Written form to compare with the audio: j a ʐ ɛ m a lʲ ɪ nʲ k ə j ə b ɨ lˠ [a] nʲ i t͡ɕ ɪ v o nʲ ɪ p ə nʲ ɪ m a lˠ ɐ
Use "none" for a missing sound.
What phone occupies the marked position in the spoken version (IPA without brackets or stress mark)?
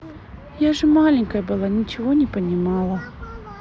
a